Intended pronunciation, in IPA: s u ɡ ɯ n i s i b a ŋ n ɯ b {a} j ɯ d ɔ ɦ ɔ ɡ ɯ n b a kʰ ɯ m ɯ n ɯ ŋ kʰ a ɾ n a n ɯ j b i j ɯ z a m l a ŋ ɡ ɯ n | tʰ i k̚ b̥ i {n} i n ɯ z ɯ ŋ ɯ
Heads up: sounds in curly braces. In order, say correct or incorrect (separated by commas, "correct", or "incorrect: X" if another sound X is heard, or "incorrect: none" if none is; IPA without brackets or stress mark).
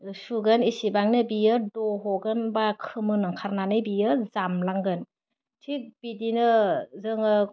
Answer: incorrect: i, incorrect: d